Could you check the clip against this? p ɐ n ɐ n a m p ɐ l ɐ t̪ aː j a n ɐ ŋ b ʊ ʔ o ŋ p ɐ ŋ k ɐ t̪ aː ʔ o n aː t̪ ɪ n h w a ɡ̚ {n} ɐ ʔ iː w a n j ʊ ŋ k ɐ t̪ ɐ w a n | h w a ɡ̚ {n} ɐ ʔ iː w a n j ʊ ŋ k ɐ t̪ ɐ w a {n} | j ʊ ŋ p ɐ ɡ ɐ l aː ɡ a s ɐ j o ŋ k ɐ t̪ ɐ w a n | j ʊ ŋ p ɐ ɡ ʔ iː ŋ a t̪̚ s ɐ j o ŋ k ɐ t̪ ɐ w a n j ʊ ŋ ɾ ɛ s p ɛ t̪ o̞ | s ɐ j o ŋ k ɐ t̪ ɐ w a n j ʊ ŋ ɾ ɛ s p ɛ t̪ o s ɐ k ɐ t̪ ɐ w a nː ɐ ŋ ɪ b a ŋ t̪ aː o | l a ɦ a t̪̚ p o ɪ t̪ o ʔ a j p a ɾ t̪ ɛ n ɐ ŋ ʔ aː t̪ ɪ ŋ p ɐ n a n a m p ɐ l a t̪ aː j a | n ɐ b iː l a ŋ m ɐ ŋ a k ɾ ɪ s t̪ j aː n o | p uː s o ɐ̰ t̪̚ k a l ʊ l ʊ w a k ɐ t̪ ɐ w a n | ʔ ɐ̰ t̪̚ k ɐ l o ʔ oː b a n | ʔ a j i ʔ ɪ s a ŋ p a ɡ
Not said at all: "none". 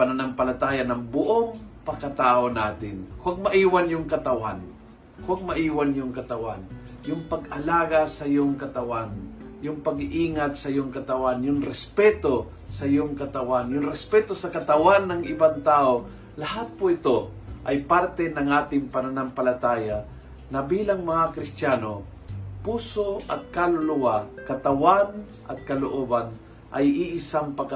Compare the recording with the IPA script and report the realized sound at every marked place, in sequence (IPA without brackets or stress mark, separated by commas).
m, m, n